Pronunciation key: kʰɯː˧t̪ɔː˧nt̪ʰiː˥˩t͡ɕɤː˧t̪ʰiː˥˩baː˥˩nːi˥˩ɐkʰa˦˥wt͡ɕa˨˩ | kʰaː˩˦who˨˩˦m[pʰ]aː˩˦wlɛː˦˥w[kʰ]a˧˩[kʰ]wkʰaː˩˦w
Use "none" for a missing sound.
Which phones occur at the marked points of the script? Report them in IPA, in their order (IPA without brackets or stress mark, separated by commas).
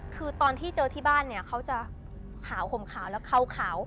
kʰ, kʰ, none